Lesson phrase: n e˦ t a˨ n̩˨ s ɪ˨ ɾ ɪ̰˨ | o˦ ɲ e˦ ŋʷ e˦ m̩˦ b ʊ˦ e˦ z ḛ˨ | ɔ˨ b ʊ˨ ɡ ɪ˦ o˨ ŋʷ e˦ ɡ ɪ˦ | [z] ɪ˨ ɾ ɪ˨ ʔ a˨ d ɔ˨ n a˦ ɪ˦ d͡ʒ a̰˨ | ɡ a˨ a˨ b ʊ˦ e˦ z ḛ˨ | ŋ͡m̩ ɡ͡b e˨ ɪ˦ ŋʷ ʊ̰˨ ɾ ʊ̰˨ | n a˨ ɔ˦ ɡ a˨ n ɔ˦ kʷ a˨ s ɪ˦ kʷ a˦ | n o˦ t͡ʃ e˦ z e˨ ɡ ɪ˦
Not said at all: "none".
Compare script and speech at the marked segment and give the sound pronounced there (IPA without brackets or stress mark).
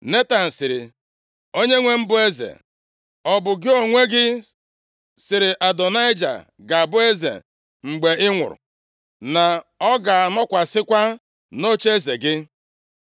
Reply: s